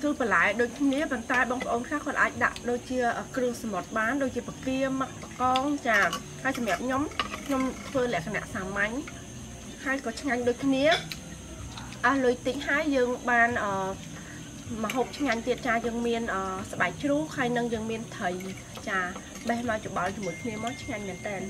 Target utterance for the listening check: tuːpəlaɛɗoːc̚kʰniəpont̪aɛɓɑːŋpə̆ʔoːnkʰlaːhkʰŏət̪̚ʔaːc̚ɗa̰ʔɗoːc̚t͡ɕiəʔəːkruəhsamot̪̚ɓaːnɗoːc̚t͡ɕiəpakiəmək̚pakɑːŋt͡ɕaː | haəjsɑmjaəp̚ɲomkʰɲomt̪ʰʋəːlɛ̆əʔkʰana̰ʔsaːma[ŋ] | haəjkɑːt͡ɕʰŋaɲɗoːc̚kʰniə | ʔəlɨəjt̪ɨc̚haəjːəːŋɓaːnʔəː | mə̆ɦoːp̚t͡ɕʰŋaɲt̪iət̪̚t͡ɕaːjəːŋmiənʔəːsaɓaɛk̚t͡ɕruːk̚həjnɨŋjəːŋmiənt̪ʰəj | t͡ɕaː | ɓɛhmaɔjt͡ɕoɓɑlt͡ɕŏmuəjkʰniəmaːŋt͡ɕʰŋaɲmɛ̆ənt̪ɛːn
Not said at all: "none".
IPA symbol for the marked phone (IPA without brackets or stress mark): ɲ